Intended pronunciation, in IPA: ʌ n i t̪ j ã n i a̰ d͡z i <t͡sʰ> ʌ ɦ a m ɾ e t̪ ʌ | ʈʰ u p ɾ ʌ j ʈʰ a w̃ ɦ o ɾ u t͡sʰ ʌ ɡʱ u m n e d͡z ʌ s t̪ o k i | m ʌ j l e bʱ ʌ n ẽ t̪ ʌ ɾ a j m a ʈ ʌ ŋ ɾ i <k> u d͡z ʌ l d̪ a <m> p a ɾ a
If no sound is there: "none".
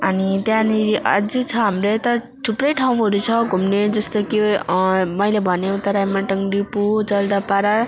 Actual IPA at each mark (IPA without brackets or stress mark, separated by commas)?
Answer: t͡sʰ, p, none